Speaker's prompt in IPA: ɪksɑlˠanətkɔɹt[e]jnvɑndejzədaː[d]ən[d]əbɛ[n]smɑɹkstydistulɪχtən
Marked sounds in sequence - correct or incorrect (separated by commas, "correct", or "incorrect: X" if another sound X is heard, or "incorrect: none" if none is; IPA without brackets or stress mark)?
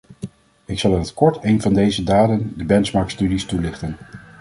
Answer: correct, correct, correct, correct